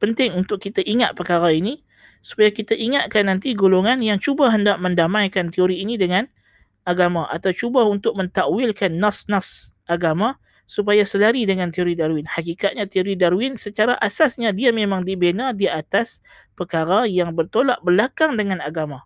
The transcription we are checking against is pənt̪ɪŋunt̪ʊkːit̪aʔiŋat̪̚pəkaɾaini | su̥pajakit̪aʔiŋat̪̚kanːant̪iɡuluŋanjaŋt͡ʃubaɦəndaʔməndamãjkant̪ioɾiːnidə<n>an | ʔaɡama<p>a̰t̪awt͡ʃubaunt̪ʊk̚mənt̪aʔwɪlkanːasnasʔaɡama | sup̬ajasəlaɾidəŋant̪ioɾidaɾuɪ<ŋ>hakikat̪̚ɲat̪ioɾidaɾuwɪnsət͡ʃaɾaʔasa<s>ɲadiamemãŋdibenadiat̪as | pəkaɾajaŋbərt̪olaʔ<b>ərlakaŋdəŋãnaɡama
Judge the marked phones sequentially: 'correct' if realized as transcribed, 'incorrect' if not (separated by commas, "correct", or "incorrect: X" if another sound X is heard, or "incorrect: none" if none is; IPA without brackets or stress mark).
incorrect: ŋ, incorrect: ʔ, incorrect: n, correct, correct